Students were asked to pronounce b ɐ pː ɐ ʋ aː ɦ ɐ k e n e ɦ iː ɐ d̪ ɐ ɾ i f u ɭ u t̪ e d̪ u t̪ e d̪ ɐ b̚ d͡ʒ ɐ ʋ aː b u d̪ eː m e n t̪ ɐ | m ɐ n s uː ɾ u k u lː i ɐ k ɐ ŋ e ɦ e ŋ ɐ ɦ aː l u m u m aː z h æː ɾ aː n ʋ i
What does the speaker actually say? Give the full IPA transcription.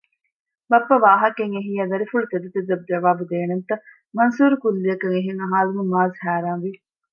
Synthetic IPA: b ɐ pː ɐ ʋ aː ɦ ɐ k e ŋ e ɦ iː ɐ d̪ ɐ ɾ i f u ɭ u t̪ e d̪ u t̪ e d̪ ɐ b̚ d͡ʒ ɐ ʋ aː b u d̪ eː n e n t̪ ɐ | m ɐ n s uː ɾ u k u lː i ɐ k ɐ ŋ e ɦ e ŋ ɐ ɦ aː l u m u m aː z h æː ɾ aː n ʋ i